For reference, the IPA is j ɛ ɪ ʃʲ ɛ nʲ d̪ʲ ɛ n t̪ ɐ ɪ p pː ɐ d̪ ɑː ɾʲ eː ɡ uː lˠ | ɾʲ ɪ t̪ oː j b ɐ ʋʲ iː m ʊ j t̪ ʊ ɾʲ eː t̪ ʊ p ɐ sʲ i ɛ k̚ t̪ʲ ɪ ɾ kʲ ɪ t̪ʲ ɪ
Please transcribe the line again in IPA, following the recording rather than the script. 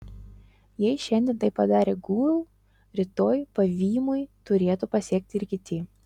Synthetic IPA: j ɛ ɪ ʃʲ ɛ nʲ d̪ʲ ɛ n t̪ ɐ ɪ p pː ɐ d̪ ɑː ɾʲ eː ɡ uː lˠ | ɾʲ ɪ t̪ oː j p ɐ ʋʲ iː m ʊ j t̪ ʊ ɾʲ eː t̪ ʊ p ɐ sʲ i ɛ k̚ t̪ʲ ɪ ɾ kʲ ɪ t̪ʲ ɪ